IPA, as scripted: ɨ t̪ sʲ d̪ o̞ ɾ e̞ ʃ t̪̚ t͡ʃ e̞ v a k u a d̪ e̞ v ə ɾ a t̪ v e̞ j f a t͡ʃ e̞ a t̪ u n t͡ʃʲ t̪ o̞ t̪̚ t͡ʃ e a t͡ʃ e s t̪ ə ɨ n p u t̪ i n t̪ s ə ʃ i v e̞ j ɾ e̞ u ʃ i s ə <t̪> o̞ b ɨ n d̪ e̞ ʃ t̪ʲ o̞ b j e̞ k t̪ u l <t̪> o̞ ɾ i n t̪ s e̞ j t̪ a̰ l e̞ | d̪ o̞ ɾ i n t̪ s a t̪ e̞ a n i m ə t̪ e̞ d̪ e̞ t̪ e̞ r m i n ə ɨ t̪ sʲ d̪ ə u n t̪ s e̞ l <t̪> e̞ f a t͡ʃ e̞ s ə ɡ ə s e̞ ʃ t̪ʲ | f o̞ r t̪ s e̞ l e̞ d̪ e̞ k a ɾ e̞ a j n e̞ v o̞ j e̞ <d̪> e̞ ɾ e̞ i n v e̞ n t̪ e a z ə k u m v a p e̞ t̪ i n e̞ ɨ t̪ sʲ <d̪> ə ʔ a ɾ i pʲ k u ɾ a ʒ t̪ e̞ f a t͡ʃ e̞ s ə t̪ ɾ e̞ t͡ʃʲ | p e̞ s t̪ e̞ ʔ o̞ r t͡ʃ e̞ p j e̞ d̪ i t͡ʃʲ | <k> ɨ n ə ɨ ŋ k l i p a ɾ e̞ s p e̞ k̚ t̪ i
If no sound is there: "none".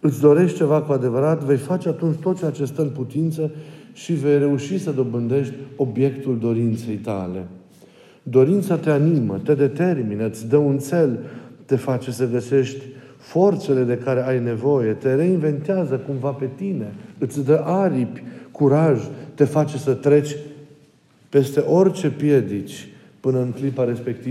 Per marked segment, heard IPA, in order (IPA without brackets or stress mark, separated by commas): d̪, d̪, t̪, t̪, d̪, p